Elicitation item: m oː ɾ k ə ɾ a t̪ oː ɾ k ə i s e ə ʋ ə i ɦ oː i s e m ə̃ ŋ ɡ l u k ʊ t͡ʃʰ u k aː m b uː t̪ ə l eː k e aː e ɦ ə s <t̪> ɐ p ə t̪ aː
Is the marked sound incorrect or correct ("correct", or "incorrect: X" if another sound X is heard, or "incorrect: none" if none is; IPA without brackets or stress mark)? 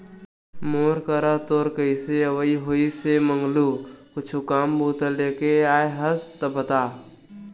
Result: correct